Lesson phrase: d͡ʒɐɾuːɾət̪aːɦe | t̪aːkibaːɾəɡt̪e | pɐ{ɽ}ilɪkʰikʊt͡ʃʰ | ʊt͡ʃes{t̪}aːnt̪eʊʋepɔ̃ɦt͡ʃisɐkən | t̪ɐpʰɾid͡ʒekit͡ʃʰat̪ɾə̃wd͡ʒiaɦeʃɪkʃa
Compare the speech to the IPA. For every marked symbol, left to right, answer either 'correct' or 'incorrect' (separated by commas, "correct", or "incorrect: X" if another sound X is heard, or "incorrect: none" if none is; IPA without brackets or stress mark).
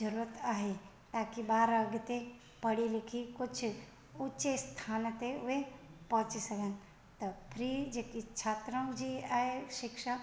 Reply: correct, incorrect: t̪ʰ